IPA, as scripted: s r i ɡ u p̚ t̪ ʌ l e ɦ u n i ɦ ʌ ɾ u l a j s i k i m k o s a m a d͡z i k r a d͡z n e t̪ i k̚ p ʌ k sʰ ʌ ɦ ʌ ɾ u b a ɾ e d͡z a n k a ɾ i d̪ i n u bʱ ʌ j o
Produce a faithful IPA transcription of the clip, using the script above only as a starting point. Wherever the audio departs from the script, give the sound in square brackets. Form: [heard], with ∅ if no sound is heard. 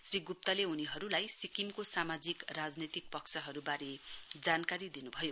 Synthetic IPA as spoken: s r i ɡ u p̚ t̪ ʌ l e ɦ u n i ɦ ʌ ɾ u l a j s i k i m k o s a m a d͡z i k r a d͡z n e t̪ i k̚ p ʌ k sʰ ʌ ɦ ʌ ɾ u b a ɾ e d͡z a n k a ɾ i d̪ i n u bʱ ʌ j o